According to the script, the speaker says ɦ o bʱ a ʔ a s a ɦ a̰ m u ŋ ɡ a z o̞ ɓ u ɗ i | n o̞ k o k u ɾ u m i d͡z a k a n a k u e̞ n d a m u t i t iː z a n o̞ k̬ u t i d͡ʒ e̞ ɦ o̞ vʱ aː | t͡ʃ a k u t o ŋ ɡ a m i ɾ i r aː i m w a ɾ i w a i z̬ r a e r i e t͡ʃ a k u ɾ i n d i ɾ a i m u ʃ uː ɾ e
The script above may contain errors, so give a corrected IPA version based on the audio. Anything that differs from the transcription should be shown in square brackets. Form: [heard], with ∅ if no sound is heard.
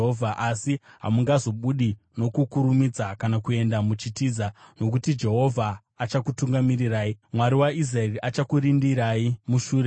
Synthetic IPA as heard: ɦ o [vʱ] a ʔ a s [i] ɦ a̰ m u ŋ ɡ a z o̞ ɓ u ɗ i | n o̞ k [u] k u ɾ u m i d͡z a k a n a k u e̞ n d a m u [t͡ʃ] i t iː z a n o̞ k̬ u t i d͡ʒ e̞ ɦ o̞ vʱ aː | t͡ʃ a k u t [u] ŋ ɡ a m i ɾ i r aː i m w a ɾ i w a i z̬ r a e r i [a] t͡ʃ a k u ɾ i n d i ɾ a i m u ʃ uː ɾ e